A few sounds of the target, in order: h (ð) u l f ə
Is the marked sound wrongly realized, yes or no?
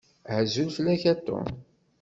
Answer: yes